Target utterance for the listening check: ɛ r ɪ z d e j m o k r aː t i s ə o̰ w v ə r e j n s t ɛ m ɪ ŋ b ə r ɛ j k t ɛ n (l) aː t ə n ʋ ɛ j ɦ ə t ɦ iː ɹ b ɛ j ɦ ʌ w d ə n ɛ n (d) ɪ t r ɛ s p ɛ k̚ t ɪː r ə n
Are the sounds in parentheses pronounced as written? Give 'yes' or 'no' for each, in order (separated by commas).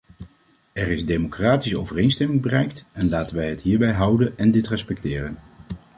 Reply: yes, yes